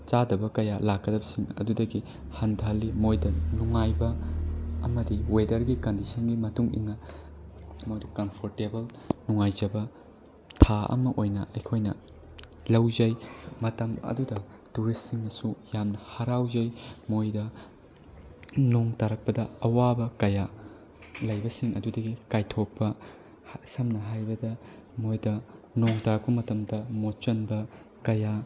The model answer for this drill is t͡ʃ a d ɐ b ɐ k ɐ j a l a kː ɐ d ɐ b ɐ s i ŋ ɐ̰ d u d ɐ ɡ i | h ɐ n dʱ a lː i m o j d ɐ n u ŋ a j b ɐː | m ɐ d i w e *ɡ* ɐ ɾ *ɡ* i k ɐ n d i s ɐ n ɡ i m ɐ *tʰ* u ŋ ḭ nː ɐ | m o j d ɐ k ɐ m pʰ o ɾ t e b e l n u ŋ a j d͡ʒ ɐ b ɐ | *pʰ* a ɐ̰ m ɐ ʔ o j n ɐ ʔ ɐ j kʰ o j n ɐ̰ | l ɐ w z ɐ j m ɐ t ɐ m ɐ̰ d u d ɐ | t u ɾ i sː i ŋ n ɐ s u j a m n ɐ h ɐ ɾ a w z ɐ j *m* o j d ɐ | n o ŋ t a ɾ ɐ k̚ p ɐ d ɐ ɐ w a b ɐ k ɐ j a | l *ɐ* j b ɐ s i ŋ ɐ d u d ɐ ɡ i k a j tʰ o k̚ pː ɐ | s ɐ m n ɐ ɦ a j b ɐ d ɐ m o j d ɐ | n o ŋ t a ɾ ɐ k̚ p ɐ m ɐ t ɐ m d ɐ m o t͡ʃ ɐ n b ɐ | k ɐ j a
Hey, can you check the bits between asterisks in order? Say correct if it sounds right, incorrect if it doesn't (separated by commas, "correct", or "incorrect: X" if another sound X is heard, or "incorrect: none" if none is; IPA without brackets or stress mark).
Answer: incorrect: d, correct, incorrect: t, incorrect: tʰ, correct, correct